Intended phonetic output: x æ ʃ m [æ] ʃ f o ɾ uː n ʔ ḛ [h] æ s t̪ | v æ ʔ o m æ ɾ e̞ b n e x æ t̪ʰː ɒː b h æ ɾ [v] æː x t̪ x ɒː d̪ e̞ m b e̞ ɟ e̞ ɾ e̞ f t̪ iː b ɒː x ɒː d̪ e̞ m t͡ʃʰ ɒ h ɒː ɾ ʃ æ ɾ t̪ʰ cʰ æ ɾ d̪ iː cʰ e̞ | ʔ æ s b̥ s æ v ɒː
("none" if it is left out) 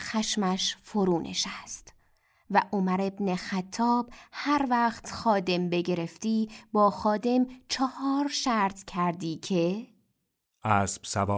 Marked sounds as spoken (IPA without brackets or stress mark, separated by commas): æ, ʃ, v